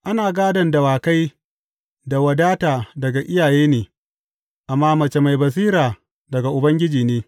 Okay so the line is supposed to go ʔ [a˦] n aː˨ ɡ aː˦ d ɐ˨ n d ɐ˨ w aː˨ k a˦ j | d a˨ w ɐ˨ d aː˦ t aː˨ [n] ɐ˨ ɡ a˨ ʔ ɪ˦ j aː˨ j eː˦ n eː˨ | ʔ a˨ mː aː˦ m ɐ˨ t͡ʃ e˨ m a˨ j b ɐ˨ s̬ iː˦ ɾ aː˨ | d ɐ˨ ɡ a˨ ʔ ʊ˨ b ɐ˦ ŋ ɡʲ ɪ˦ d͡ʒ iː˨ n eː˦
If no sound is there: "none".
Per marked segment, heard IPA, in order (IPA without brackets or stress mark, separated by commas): a˦, d